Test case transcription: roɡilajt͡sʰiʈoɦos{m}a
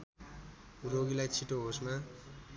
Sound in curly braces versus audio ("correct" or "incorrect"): correct